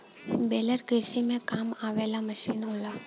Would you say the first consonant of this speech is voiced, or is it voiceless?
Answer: voiced